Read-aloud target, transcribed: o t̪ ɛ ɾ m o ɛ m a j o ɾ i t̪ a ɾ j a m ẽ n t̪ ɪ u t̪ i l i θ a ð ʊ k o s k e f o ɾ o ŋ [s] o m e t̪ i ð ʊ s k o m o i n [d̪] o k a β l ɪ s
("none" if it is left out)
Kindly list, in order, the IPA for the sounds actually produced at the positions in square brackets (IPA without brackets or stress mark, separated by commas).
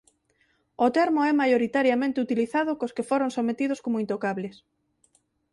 s, t̪